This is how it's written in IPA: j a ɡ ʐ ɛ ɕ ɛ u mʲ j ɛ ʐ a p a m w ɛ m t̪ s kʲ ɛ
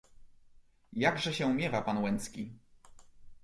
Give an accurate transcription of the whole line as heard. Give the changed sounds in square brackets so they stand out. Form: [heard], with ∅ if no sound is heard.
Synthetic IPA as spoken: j a ɡ ʐ ɛ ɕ ɛ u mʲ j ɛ [v] a p a [n] w ɛ [n] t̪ s kʲ [i]